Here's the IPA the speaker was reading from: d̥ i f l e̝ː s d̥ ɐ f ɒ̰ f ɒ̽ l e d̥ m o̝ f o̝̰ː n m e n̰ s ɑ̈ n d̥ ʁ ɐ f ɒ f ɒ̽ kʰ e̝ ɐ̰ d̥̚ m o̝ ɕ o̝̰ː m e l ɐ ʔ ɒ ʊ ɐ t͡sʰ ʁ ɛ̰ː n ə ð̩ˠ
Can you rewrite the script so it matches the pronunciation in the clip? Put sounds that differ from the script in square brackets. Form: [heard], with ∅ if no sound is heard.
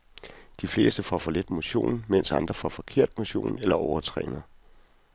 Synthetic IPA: d̥ i f l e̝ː s d̥ [ə] f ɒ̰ f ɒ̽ l e d̥ m o̝ [ɕ] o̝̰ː n m e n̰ s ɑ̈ n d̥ ʁ ɐ f ɒ f ɒ̽ kʰ e̝ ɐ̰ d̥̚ m o̝ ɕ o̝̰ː [n] e l ɐ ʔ ɒ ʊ ɐ t͡sʰ ʁ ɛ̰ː n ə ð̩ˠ